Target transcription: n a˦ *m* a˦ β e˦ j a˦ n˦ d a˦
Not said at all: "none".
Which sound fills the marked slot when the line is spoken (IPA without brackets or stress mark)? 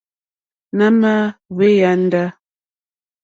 m